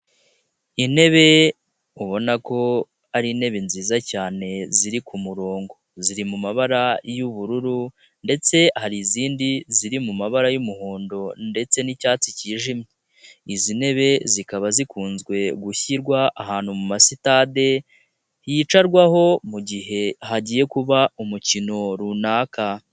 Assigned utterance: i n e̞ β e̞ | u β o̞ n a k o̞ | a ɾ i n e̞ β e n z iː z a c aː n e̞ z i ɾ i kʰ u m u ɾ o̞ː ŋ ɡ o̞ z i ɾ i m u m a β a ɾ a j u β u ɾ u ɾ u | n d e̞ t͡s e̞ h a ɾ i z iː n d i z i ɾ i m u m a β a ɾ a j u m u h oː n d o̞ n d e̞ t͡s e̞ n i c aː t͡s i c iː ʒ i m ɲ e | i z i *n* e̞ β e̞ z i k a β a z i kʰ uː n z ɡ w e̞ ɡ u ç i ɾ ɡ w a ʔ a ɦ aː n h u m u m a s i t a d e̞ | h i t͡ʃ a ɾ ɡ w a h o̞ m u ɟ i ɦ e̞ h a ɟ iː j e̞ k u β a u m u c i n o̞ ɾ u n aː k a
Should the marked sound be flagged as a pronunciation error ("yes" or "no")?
no